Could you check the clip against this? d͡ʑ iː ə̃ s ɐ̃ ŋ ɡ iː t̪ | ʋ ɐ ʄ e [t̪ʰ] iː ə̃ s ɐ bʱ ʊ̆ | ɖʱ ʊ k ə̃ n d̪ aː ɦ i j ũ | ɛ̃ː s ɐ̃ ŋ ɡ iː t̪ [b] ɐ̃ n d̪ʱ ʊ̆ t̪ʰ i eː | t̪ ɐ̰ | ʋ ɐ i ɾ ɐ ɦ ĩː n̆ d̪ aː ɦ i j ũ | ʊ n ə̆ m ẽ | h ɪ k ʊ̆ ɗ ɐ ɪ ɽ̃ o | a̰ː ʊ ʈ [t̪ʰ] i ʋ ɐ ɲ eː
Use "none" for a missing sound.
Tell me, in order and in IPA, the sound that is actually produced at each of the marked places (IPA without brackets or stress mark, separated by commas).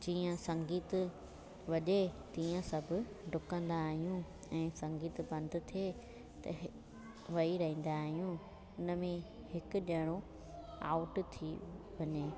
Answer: t̪, b, t̪ʰ